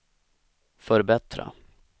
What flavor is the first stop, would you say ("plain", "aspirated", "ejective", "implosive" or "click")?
plain